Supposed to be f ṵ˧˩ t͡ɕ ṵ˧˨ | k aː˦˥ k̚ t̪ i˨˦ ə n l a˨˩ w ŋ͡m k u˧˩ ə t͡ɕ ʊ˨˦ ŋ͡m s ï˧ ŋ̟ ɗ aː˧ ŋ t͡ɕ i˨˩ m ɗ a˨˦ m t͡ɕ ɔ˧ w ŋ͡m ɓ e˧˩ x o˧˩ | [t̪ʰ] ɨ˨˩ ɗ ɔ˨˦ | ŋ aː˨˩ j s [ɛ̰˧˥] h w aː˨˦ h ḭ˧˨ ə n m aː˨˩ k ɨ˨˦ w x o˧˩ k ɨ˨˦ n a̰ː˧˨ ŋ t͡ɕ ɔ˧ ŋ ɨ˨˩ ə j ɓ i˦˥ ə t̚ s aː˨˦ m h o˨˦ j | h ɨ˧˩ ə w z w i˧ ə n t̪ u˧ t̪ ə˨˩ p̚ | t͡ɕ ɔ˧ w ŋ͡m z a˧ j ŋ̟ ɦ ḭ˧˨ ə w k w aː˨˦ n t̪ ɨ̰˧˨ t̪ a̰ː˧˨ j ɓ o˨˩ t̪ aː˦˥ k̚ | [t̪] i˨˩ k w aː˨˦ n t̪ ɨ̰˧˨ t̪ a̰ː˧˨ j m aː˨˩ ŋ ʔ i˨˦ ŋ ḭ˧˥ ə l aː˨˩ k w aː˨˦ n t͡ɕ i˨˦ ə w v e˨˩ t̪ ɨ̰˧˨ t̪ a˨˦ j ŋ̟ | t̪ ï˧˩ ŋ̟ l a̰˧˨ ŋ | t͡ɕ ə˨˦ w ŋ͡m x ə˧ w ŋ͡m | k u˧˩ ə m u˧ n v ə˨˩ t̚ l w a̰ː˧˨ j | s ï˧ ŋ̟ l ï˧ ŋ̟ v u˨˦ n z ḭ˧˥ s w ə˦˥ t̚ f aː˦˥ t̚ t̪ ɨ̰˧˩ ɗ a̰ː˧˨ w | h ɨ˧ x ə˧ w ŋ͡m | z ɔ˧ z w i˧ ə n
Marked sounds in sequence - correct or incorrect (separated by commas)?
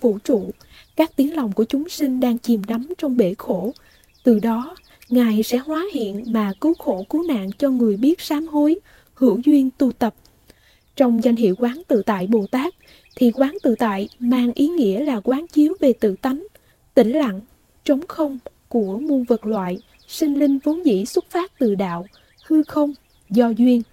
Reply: incorrect, correct, incorrect